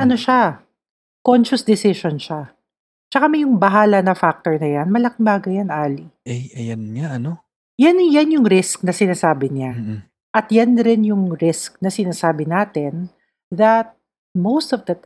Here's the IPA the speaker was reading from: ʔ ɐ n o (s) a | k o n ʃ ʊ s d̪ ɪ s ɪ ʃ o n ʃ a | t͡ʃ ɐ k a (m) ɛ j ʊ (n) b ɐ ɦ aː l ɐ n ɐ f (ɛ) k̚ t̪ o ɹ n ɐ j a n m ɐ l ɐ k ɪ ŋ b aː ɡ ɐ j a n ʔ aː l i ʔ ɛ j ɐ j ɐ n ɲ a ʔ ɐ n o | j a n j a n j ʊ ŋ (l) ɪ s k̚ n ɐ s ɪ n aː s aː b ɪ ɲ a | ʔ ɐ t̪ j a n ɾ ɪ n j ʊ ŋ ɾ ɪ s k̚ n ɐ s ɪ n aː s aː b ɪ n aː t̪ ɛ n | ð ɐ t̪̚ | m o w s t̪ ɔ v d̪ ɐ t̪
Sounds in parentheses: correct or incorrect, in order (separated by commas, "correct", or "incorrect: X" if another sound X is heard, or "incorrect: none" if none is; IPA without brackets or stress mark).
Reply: incorrect: ʃ, correct, incorrect: ŋ, incorrect: a, incorrect: ɾ